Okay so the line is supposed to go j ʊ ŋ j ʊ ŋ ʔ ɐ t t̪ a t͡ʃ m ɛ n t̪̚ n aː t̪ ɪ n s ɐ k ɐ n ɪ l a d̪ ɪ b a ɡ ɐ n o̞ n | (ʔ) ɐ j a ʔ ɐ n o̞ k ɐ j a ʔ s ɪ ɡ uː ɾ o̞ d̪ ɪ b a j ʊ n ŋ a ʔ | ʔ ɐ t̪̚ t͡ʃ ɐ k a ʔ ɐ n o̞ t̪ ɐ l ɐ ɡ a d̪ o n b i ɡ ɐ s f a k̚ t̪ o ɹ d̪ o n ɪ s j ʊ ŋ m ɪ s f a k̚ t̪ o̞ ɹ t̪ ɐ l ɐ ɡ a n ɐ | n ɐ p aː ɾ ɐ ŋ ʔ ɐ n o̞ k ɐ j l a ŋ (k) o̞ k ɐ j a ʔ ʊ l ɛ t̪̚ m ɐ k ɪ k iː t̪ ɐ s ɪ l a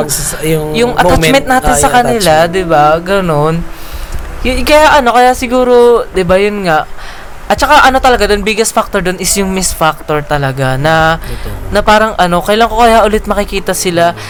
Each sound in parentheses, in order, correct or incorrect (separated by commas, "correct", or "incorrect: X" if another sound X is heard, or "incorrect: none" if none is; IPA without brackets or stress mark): incorrect: k, correct